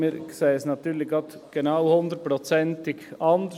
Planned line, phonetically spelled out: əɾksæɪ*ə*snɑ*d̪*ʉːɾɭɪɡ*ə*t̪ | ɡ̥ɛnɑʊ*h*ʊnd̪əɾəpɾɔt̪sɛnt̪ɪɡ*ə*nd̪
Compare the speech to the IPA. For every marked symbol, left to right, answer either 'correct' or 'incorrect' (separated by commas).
correct, incorrect, incorrect, correct, incorrect